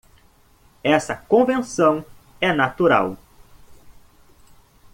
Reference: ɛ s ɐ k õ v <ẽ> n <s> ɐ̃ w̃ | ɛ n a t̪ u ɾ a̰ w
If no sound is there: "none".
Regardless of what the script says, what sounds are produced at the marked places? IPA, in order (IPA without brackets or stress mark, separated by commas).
ẽ, s